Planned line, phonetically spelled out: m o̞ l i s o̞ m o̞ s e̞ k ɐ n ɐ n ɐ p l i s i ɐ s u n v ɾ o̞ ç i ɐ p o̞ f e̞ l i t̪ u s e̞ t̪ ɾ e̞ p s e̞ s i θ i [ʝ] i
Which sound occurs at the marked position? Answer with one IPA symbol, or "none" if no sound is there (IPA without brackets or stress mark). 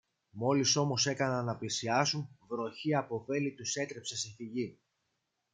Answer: ʝ